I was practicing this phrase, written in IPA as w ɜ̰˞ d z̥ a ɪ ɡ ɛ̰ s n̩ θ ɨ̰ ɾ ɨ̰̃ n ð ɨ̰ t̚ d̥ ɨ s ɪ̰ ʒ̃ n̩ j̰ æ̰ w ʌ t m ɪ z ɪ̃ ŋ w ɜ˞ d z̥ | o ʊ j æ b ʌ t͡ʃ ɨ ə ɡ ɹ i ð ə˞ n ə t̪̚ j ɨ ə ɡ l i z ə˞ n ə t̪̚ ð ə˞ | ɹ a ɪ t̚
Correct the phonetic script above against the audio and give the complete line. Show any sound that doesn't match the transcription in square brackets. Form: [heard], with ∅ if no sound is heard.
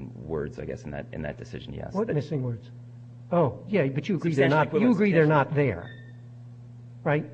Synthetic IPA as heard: w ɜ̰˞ d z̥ a ɪ ɡ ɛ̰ s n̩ [ð] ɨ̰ ɾ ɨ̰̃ n ð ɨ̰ t̚ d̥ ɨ s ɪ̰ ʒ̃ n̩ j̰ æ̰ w ʌ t m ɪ [s] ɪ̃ ŋ w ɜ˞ d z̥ | o ʊ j æ b ʌ t͡ʃ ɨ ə ɡ ɹ i ð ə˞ n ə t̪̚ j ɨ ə ɡ [ɹ] i [ð] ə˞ n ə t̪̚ ð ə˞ | ɹ a ɪ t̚